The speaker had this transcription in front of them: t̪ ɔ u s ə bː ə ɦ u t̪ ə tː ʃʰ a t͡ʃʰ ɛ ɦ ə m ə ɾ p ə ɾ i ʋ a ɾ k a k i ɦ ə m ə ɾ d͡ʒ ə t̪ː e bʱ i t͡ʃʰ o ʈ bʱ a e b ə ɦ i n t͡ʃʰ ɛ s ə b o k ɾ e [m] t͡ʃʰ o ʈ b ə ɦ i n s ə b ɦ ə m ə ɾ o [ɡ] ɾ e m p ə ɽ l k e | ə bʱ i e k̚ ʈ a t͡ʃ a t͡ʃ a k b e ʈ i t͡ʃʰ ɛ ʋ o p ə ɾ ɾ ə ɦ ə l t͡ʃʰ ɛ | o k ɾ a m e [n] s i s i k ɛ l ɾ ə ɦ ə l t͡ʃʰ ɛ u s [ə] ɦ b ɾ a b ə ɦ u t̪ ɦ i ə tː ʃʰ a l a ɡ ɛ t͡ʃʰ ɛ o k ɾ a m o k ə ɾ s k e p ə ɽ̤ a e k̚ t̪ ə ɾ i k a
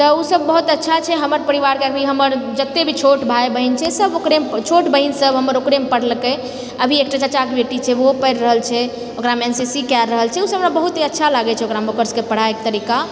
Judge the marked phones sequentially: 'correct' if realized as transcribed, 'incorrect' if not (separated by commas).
correct, incorrect, correct, correct